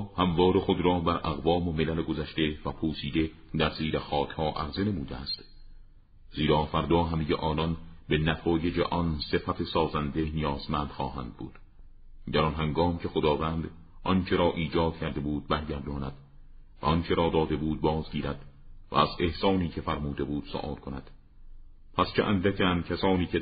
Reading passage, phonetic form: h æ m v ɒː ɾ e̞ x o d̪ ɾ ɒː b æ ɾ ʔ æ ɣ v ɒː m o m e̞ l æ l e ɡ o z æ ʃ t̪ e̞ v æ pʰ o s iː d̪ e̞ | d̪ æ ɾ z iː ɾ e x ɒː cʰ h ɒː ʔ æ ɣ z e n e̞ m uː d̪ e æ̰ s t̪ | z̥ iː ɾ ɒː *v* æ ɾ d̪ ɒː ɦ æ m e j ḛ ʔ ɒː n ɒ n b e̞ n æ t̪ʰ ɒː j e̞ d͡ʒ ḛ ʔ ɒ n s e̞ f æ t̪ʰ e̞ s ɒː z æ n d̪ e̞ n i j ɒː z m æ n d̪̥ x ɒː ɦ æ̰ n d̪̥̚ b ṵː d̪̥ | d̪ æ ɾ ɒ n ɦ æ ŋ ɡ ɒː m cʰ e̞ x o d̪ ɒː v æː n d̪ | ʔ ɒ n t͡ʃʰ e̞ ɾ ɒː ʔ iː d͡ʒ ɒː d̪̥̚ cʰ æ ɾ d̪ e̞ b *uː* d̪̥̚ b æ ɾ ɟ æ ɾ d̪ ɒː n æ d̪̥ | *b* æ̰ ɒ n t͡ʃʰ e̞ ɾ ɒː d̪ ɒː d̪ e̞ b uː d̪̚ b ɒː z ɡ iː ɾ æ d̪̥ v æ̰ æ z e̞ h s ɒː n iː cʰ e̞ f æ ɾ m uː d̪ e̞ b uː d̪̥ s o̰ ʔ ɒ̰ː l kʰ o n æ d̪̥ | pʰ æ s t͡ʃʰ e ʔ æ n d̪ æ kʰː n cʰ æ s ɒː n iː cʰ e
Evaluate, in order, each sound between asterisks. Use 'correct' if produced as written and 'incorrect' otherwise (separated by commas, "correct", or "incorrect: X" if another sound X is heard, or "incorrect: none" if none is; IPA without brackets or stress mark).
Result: incorrect: f, correct, incorrect: v